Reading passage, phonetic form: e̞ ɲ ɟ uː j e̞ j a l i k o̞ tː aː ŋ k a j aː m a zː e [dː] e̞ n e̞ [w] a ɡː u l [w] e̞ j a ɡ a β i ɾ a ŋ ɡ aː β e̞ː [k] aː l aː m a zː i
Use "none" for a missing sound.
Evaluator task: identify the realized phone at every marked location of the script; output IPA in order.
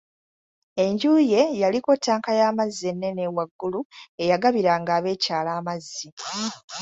nː, w, u, c

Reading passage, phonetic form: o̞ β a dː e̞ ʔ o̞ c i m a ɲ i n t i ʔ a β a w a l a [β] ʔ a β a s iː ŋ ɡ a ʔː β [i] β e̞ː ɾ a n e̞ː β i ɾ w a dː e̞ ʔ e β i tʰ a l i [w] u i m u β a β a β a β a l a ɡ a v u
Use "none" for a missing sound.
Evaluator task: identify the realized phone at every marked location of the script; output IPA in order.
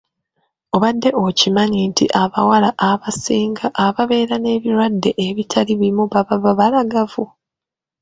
none, a, β

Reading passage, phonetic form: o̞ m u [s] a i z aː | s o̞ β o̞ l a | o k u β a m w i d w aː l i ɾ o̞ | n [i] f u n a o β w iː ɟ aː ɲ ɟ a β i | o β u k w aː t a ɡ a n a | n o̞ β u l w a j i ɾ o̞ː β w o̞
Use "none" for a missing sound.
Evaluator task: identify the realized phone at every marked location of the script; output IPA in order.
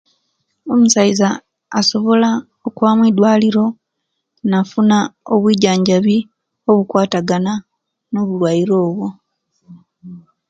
s, a

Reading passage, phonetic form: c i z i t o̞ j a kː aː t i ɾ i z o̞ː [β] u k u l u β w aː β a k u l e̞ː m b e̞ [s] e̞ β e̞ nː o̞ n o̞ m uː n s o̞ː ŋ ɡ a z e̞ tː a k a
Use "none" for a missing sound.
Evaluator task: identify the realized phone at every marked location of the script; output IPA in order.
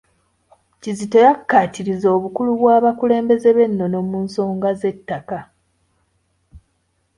β, z

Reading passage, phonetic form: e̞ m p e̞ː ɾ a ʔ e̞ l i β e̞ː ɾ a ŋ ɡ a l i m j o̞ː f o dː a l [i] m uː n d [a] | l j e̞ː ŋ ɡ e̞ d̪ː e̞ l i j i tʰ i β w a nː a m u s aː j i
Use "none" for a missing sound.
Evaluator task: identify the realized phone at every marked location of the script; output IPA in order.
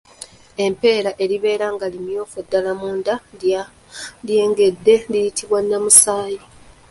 a, a

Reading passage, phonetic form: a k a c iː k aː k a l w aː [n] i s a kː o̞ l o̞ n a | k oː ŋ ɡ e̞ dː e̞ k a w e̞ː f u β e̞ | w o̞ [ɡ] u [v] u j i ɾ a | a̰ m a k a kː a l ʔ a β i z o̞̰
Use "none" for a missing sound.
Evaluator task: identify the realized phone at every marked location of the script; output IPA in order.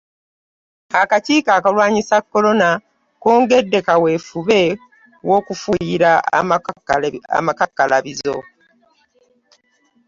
ɲ, k, f

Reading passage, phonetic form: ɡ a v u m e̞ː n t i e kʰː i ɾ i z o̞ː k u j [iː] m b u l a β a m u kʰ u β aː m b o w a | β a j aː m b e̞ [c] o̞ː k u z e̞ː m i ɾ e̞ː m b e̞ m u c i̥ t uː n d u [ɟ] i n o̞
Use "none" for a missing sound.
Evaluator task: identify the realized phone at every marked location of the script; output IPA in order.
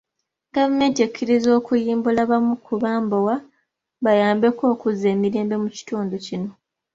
iː, k, c

